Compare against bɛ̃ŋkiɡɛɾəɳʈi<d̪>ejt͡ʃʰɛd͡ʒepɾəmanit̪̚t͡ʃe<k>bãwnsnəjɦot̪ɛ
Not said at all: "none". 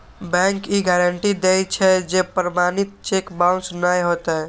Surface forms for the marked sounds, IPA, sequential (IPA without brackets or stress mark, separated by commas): d̪, k